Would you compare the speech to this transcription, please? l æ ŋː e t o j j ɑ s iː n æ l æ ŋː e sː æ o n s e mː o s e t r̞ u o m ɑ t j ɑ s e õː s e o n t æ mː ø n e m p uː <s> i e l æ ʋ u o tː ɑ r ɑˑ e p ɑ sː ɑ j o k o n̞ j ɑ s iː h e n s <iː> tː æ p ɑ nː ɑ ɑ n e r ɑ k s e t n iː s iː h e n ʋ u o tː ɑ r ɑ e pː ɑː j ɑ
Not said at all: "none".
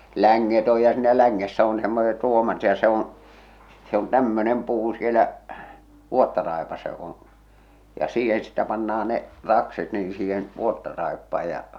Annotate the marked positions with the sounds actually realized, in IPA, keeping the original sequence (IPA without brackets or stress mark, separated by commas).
s, i